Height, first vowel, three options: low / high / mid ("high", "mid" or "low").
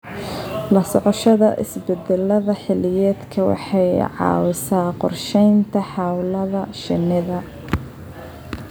low